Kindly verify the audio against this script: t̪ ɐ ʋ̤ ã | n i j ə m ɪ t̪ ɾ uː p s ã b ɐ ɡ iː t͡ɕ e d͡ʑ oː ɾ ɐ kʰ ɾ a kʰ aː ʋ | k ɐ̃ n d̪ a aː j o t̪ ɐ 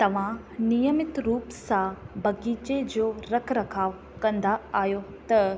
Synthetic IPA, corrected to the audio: t̪ ɐ ʋ̤ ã | n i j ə m ɪ t̪ ɾ uː p s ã b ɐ ɡ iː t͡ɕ e d͡ʑ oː ɾ ɐ kʰ ɾ ɐ kʰ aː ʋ | k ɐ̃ n d̪ a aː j o t̪ ɐ